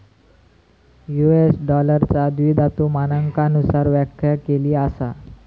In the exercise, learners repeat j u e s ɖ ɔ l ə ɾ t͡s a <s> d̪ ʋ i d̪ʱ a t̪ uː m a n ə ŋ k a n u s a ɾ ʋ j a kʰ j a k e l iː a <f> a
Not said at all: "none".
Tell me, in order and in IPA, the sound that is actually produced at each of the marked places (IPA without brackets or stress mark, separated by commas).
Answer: none, s